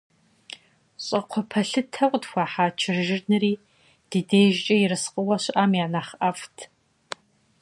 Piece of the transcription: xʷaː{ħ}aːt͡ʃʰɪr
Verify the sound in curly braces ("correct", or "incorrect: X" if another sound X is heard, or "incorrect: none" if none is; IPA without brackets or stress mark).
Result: correct